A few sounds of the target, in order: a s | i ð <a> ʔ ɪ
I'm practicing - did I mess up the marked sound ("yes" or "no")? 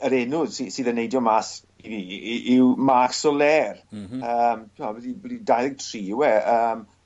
yes